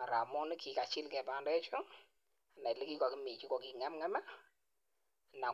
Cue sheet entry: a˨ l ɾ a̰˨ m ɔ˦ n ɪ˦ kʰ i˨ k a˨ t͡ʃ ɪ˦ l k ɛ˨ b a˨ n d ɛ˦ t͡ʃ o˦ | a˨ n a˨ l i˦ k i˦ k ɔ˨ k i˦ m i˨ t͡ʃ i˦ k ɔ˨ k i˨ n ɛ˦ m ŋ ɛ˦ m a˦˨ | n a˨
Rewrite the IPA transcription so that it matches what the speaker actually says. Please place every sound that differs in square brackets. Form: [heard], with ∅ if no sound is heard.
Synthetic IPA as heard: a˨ [∅] ɾ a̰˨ m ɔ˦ n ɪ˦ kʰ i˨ k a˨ t͡ʃ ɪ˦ l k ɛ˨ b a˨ n d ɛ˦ t͡ʃ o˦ | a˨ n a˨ l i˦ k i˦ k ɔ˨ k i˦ m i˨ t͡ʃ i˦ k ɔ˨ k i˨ [ŋ] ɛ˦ m ŋ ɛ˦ m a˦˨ | n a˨